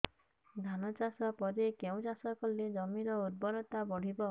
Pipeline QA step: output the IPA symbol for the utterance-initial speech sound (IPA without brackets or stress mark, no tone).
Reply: d̪ʱ